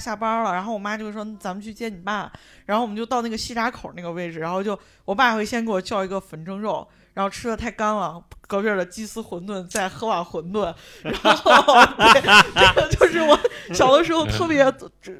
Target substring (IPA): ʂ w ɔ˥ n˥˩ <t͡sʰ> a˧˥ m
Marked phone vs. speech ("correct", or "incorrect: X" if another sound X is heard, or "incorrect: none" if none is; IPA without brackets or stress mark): incorrect: t͡s